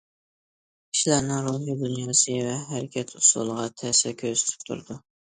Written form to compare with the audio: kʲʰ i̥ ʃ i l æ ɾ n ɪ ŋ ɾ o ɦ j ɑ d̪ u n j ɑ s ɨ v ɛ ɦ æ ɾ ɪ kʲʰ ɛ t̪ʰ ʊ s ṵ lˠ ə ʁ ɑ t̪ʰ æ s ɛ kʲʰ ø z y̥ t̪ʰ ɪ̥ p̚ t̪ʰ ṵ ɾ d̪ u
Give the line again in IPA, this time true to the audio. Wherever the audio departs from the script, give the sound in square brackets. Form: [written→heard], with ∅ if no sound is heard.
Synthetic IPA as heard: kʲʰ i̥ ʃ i l æ ɾ n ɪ ŋ ɾ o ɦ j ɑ d̪ u n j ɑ s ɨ v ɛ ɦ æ ɾ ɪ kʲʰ ɛ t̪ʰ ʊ s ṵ lˠ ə ʁ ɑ t̪ʰ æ s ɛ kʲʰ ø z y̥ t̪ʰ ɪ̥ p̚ t̪ʰ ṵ ɾ d̪ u